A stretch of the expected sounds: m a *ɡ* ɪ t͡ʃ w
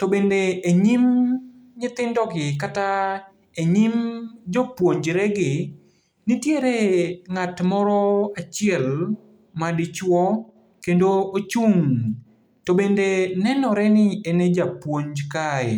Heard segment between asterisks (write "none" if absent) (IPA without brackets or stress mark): d